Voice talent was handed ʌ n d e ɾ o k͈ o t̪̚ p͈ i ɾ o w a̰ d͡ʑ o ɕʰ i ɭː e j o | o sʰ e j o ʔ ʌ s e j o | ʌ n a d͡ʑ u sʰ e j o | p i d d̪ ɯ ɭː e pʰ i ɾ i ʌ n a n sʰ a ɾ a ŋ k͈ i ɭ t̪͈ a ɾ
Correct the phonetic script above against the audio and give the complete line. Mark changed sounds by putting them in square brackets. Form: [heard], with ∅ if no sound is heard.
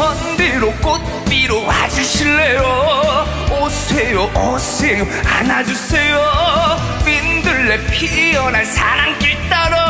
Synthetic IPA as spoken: ʌ n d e ɾ o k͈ o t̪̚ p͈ i ɾ o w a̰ d͡ʑ [u] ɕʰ i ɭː e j o | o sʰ e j o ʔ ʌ s e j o | [a] n a d͡ʑ u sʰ e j o | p i [n] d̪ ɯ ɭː e pʰ i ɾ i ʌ n a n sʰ a ɾ a ŋ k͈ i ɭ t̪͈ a ɾ